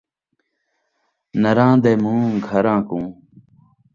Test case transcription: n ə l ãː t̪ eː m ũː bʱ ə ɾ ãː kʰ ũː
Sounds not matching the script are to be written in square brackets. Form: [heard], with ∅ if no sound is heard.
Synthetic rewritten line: n ə [ɾ] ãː [d̪] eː m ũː [ɡʱ] ə ɾ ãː [k] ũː

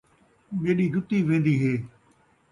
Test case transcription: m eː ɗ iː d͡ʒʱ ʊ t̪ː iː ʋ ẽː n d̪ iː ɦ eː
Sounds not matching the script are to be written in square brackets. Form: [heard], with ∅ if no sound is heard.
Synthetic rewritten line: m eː ɗ iː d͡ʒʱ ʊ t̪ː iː ʋ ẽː n d̪ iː ɦ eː

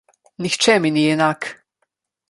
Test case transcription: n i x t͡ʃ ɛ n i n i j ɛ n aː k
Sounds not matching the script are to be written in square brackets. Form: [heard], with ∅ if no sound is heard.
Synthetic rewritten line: n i x t͡ʃ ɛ [m] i n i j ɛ n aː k

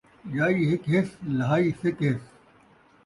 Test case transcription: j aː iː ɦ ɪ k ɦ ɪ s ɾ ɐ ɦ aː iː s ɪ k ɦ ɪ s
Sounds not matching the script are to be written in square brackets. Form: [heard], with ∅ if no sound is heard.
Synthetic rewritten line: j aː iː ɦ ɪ k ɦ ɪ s [l] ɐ ɦ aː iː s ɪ k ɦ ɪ s

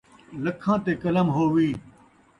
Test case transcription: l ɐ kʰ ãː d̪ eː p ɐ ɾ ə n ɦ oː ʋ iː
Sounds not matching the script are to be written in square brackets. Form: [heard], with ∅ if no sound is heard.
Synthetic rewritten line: l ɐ kʰ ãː [t̪] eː [k] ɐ [l] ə [m] ɦ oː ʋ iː

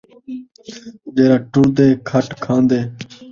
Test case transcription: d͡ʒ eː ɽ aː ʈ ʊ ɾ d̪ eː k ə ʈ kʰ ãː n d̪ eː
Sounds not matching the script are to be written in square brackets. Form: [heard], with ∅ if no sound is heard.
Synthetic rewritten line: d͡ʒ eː [ɾ] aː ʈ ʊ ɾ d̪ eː [kʰ] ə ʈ kʰ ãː n d̪ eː

